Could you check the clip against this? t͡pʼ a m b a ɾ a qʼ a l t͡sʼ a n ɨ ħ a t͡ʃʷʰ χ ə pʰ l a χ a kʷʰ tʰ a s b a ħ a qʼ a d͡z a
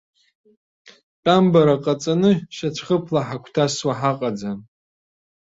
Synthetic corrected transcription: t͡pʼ a m b a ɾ a qʼ a t͡sʼ a n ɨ ʃ a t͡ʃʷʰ χ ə pʰ l a ħ a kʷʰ tʰ a s w a ħ a qʼ a d͡z a